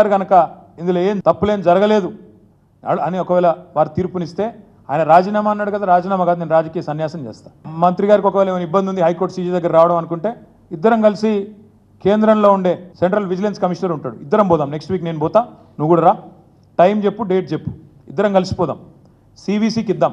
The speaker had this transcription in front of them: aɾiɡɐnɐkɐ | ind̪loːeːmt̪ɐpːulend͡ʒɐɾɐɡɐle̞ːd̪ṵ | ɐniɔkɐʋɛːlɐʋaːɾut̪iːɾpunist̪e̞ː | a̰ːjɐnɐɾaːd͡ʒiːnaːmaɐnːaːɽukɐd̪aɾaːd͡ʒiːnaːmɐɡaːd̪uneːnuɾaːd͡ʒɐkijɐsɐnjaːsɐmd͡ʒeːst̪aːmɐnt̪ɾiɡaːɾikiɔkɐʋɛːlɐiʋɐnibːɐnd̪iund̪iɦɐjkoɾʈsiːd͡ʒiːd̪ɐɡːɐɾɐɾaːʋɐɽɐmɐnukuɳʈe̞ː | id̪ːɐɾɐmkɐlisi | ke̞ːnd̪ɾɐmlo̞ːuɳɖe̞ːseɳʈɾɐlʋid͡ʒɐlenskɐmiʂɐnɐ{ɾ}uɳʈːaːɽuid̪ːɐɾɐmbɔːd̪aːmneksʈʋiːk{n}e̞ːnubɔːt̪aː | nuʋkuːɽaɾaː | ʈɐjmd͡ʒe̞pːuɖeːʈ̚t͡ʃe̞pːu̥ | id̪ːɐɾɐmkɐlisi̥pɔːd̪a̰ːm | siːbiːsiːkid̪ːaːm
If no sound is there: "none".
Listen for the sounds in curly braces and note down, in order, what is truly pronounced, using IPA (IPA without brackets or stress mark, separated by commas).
ɾ, n